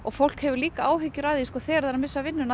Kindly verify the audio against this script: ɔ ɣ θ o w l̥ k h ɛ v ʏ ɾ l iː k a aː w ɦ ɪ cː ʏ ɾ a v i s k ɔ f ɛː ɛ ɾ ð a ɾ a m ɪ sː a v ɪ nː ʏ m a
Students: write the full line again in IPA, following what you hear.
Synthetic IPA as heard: ɔ ɣ f o w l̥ k h ɛ v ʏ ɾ l iː k a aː w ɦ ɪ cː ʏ ɾ a ð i s k ɔ θ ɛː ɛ ɾ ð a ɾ a m ɪ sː a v ɪ nː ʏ n a

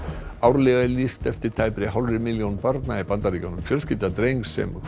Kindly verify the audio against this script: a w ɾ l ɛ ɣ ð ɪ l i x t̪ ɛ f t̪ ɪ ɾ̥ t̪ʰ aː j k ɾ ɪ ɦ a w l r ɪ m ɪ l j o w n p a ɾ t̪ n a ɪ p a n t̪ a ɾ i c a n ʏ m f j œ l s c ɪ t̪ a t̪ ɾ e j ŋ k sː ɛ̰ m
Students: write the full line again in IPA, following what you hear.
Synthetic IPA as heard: a w ɾ l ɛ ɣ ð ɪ l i s t̪ ɛ f t̪ ɪ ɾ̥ t̪ʰ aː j p ɾ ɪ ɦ a w l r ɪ m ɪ l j o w n p a ɾ t̪ n a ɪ p a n t̪ a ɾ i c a n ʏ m f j œ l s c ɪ t̪ a t̪ ɾ e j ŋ k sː ɛ̰ m

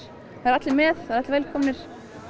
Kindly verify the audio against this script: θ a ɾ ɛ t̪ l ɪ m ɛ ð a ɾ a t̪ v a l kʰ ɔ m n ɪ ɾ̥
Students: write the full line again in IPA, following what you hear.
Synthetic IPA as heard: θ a ɾ a t̪ l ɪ m ɛ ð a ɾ a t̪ v ɛ l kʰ ɔ m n ɪ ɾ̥

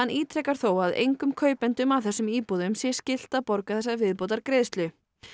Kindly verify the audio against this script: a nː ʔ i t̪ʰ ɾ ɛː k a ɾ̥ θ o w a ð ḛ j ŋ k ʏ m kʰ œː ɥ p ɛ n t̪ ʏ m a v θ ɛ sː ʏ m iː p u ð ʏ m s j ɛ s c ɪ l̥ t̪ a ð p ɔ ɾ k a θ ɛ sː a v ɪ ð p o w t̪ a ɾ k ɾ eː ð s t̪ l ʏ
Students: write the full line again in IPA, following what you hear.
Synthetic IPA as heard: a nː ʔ iː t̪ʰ ɾ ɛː k a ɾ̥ θ o w a ð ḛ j ŋ k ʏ m kʰ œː ɥ p ɛ n t̪ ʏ m a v θ ɛ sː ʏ m iː p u ð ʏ m s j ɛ s c ɪ l̥ t̪ a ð p ɔ ɾ k a θ ɛ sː a v ɪ ð p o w t̪ a ɾ k ɾ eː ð s t̪ l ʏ

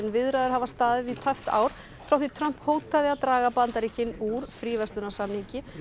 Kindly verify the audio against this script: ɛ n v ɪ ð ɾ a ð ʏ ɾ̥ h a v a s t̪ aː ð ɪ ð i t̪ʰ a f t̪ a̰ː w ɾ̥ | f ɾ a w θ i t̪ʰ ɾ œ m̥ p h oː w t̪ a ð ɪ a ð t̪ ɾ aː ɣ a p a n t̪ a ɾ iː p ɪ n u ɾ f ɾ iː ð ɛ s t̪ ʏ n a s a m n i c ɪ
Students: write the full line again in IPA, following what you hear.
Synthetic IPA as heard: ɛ n v ɪ ð ɾ a ð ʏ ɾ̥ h a v a s t̪ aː ð ɪ ð i t̪ʰ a f t̪ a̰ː w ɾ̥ | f ɾ a w θ i t̪ʰ ɾ œ m̥ p h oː w t̪ a ð ɪ a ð t̪ ɾ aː ɣ a p a n t̪ a ɾ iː c ɪ n u ɾ f ɾ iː v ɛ s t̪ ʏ n a s a m n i c ɪ

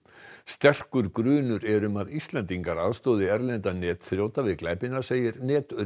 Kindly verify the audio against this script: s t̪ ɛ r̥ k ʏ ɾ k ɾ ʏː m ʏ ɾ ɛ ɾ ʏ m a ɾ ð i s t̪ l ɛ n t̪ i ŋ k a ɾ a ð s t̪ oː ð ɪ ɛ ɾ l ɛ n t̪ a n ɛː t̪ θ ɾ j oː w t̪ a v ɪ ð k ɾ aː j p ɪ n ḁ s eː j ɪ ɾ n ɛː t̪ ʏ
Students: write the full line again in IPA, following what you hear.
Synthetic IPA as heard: s t̪ ɛ r̥ k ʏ ɾ k ɾ ʏː n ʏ ɾ ɛ ɾ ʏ m a ð i s t̪ l ɛ n t̪ i ŋ k a ɾ a ð s t̪ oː ð ɪ ɛ ɾ l ɛ n t̪ a n ɛː t̪ θ ɾ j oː w t̪ a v ɪ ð k l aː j p ɪ n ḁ s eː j ɪ ɾ n ɛː t̪ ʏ

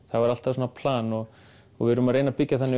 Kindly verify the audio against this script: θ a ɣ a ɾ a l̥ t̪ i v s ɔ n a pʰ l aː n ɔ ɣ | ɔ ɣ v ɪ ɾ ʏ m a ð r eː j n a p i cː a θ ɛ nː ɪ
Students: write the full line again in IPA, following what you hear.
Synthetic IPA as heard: θ a v a ɾ a l̥ t̪ a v s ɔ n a pʰ l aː n ɔ ɣ | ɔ ɣ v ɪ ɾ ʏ m a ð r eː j n a p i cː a θ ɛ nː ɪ

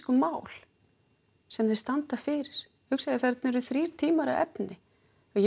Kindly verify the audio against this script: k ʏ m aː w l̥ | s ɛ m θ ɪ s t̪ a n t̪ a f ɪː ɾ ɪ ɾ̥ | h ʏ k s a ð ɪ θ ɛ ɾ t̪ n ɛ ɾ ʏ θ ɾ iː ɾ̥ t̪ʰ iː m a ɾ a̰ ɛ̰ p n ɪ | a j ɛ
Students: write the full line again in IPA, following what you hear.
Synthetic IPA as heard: k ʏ m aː w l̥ | s ɛ m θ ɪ s t̪ a n t̪ a f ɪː ɾ ɪ ɾ̥ | h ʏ k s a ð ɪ θ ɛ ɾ t̪ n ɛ ɾ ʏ θ ɾ iː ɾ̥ t̪ʰ iː m a ɾ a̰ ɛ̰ p n ɪ | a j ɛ

